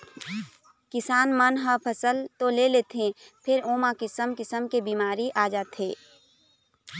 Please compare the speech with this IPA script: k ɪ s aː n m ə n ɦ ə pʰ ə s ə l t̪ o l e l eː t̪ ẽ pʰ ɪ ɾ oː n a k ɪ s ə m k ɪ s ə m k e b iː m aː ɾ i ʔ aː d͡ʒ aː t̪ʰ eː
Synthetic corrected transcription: k ɪ s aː n m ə n ɦ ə pʰ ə s ə l t̪ o l e l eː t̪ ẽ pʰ ɪ ɾ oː m a k ɪ s ə m k ɪ s ə m k e b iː m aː ɾ i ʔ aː d͡ʒ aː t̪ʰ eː